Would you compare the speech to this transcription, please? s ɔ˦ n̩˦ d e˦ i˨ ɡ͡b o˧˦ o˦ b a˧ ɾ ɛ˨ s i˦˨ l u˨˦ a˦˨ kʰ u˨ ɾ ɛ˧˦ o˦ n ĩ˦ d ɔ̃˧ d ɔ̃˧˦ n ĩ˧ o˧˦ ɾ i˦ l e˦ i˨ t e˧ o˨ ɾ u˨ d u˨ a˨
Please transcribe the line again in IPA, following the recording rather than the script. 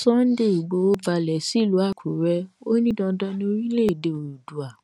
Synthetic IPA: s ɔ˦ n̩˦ d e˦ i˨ ɡ͡b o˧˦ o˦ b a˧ l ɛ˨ s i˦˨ l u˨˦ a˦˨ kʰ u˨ ɾ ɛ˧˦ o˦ n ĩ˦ d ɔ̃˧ d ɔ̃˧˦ n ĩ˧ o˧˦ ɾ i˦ l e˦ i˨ d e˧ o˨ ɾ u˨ d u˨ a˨